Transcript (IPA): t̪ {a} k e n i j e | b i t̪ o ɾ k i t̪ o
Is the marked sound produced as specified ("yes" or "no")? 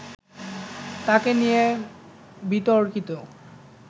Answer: yes